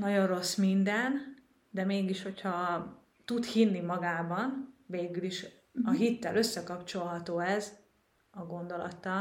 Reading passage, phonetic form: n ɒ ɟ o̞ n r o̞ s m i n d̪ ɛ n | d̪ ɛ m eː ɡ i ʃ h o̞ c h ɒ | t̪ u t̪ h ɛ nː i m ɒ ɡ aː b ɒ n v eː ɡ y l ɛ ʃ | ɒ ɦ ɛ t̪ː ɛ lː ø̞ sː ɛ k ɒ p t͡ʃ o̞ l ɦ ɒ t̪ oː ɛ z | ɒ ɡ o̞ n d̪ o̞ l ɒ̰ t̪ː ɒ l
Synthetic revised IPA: n ɒ ɟ o̞ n r o̞ s m i n d̪ ɛ n | d̪ ɛ m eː ɡ i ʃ h o̞ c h ɒ | t̪ u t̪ h i nː i m ɒ ɡ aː b ɒ n v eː ɡ y l i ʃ | ɒ ɦ i t̪ː ɛ l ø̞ sː ɛ k ɒ p t͡ʃ o̞ l ɦ ɒ t̪ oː ɛ z | ɒ ɡ o̞ n d̪ o̞ l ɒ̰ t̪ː ɒ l